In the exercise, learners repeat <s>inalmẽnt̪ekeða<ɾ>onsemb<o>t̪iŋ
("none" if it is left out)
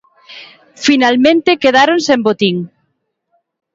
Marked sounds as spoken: f, ɾ, o

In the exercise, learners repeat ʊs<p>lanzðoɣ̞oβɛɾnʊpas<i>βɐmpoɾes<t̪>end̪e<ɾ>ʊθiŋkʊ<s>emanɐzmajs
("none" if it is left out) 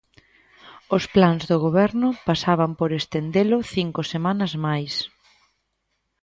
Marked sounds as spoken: p, a, t̪, l, s

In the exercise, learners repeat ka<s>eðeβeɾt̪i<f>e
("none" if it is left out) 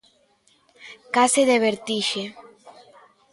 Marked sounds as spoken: s, ʃ

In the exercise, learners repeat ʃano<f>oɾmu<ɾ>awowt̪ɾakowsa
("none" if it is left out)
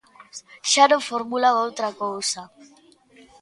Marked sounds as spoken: f, l

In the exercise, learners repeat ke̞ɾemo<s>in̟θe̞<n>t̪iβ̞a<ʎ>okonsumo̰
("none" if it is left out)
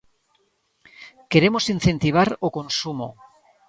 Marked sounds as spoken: s, n, ɾ

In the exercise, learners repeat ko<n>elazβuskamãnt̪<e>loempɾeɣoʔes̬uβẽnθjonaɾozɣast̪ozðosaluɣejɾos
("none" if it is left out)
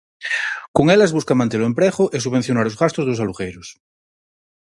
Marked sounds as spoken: ŋ, e

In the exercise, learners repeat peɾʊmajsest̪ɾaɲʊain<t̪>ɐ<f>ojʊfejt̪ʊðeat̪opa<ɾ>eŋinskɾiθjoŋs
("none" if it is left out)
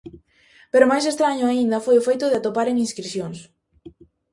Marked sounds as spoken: d̪, f, ɾ

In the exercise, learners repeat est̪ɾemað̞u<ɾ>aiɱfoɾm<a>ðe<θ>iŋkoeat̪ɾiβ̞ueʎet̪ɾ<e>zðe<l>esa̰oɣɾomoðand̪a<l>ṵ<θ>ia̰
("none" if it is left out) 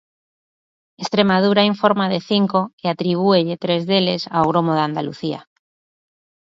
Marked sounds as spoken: ɾ, a, θ, e, l, l, θ

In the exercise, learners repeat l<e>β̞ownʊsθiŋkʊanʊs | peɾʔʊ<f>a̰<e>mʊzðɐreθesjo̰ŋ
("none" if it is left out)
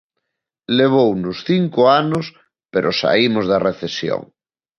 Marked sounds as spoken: e, s, i

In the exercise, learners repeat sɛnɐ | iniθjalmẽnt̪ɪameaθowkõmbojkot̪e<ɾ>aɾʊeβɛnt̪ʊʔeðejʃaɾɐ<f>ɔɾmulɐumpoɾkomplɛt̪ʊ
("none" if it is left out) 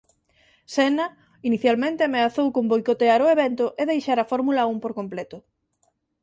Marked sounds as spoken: none, f

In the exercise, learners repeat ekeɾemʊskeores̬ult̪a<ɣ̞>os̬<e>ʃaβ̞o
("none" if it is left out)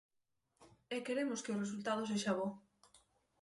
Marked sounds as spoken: ð̞, e

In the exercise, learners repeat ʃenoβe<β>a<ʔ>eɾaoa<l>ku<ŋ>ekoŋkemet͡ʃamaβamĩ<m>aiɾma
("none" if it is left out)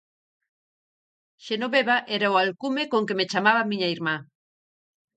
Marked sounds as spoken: β, ʔ, l, m, ɲ

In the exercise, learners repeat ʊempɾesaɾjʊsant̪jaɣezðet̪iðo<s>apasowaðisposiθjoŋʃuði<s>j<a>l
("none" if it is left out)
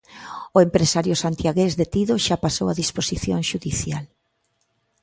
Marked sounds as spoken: ʃ, θ, a

